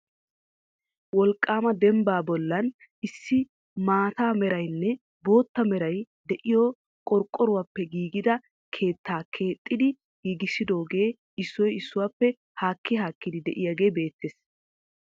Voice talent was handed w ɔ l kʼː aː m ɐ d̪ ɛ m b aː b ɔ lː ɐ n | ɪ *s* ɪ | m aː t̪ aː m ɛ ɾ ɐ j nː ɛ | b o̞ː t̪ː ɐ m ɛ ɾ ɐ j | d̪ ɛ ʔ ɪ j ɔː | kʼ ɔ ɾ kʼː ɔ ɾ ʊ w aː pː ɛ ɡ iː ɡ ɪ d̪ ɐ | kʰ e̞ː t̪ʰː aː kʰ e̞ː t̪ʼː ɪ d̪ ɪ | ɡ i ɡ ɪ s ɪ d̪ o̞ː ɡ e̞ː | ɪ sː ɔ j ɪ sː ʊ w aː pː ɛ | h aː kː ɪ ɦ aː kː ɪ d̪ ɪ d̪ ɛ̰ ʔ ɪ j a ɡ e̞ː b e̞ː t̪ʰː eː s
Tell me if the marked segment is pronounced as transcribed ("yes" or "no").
no